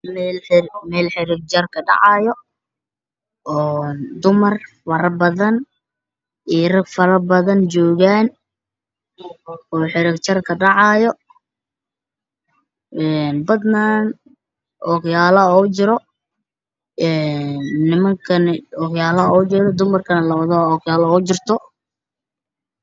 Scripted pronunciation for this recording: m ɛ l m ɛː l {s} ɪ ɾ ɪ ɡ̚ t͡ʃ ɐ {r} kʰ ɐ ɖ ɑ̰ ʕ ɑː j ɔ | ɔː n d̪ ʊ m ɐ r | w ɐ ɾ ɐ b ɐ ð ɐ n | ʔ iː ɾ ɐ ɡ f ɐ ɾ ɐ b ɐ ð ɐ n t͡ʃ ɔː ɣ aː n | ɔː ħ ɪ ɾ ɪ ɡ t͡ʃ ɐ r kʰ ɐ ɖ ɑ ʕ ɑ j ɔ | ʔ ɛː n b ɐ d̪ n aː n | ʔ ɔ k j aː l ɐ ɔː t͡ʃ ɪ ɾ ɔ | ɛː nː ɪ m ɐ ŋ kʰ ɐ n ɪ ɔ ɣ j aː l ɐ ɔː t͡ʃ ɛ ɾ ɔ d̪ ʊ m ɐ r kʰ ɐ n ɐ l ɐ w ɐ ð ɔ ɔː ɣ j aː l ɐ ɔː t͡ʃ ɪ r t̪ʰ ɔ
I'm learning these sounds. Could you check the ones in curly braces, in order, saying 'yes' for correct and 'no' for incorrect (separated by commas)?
no, yes